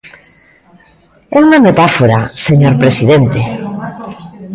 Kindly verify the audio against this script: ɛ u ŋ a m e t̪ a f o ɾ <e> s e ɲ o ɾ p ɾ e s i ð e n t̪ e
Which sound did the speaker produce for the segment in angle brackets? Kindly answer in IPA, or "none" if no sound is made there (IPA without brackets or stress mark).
a